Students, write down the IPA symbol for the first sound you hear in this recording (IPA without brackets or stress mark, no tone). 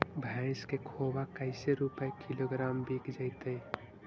bʱ